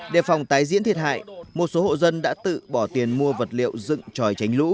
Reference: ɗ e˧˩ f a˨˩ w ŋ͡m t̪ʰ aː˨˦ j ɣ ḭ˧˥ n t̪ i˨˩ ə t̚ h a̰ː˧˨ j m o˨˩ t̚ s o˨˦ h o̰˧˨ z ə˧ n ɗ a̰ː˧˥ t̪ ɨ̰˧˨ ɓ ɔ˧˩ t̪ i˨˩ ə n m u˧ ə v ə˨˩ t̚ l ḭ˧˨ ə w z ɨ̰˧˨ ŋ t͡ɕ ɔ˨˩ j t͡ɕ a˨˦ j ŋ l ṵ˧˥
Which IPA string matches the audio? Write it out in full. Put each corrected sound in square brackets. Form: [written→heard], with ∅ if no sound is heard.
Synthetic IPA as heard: ɗ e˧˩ f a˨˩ w ŋ͡m [t̪ʰ→t̪] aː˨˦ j [ɣ→z] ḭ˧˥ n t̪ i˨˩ ə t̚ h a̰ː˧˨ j m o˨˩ t̚ s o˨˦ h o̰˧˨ z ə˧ n ɗ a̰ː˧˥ t̪ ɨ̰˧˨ ɓ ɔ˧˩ t̪ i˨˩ ə n m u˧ ə v ə˨˩ t̚ l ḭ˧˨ ə w z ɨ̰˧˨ ŋ t͡ɕ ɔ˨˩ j t͡ɕ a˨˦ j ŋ l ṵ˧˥